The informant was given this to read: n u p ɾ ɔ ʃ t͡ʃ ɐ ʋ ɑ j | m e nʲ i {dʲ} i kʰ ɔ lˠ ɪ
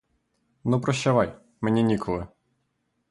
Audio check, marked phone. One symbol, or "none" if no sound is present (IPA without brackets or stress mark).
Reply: nʲ